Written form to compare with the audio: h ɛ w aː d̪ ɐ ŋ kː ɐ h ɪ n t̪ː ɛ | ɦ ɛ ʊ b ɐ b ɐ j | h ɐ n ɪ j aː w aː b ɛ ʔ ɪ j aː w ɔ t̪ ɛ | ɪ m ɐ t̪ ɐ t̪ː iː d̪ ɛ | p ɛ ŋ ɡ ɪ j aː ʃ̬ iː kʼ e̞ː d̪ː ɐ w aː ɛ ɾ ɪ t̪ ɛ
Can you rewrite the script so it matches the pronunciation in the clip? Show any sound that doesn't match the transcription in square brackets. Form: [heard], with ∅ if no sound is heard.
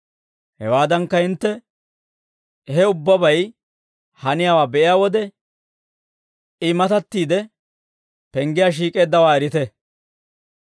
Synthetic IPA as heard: h ɛ w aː d̪ ɐ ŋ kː ɐ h ɪ n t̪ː ɛ | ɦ ɛ ʊ [bː] ɐ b ɐ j | h ɐ n ɪ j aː w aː b ɛ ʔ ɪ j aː w ɔ [d̪] ɛ | ɪ m ɐ t̪ ɐ t̪ː iː d̪ ɛ | p ɛ ŋ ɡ ɪ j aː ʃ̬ iː kʼ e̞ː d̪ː ɐ w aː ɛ ɾ ɪ t̪ ɛ